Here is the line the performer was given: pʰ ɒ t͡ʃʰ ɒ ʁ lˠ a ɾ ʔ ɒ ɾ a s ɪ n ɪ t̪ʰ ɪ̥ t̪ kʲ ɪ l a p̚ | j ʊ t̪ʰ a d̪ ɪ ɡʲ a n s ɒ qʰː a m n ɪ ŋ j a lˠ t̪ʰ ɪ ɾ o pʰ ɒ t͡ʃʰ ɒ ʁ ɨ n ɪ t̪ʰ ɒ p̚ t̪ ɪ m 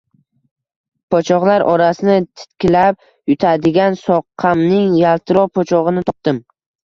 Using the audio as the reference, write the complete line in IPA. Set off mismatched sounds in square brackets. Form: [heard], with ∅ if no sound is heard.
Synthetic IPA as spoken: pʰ ɒ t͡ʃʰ ɒ ʁ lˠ a ɾ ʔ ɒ ɾ a s ɪ n ɪ t̪ʰ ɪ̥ t̪ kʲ ɪ l a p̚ | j ʊ t̪ʰ a d̪ ɪ ɡʲ a n s ɒ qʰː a m n ɪ ŋ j a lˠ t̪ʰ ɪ ɾ [ɒ] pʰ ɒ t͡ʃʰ ɒ ʁ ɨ n ɪ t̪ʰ ɒ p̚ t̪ ɪ m